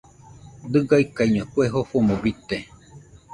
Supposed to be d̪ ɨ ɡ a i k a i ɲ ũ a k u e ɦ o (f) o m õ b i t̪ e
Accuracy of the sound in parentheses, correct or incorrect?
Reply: correct